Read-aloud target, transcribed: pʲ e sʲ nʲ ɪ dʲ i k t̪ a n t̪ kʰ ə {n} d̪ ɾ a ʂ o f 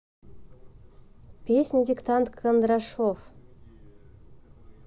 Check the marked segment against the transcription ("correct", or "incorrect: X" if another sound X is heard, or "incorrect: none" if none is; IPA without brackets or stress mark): correct